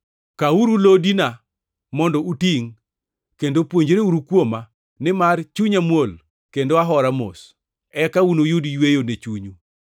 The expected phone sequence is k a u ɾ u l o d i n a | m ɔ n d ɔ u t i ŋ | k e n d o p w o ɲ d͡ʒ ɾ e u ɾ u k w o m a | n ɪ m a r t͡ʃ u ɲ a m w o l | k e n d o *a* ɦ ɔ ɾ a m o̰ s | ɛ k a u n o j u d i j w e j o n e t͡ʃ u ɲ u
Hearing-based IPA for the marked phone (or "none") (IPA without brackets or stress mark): a